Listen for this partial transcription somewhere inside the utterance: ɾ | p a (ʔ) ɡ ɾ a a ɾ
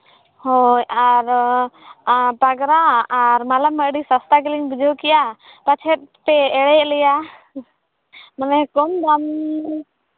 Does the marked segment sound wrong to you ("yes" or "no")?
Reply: yes